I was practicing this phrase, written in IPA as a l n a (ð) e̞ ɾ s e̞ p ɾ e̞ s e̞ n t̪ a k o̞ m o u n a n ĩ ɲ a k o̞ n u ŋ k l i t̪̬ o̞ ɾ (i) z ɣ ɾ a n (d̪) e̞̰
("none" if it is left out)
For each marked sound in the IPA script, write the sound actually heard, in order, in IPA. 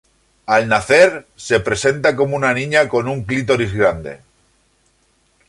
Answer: θ, i, d̪

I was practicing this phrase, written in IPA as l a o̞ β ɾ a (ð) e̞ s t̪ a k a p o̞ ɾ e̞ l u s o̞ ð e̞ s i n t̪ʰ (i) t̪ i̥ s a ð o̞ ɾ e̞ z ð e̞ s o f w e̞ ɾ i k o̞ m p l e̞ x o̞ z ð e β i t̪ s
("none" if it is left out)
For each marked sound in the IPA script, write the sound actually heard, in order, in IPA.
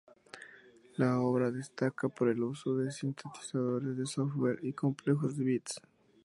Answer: ð, e

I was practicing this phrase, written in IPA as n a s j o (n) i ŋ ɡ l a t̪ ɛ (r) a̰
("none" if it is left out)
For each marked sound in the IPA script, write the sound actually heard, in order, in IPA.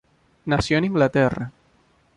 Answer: n, r

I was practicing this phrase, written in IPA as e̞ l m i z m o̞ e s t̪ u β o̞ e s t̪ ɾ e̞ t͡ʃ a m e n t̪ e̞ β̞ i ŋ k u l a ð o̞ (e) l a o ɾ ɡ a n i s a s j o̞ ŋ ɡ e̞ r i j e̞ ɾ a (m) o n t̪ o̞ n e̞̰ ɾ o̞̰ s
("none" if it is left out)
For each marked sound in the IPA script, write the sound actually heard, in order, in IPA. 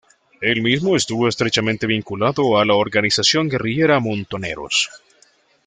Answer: a, m

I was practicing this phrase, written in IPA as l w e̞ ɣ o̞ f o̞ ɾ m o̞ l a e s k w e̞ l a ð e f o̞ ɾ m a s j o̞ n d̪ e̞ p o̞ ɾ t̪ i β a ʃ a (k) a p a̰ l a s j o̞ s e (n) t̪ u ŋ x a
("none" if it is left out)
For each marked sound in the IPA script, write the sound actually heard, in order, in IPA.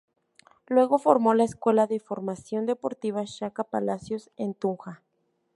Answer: k, n

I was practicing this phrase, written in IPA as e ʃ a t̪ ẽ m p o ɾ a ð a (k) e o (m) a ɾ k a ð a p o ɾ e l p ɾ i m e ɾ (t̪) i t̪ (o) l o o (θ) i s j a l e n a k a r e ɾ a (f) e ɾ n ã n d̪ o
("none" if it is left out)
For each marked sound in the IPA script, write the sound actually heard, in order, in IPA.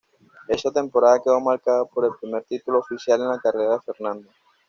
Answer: k, m, t̪, u, f, f

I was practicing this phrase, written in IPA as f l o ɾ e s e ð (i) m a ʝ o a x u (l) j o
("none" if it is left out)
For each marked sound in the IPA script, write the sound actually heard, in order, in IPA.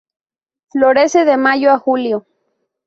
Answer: e, l

